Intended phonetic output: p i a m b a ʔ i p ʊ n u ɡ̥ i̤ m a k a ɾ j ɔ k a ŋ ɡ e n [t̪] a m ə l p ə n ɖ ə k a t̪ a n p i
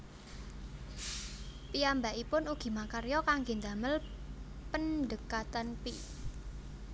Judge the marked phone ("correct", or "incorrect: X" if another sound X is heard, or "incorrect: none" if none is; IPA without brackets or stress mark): incorrect: d̪